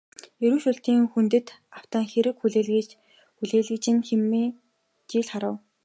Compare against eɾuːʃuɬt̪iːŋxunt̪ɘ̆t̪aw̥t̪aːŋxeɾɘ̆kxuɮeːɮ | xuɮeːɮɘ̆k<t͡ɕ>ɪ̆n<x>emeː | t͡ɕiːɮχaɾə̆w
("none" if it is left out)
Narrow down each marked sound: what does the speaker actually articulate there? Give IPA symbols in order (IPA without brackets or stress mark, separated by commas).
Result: t͡ɕ, x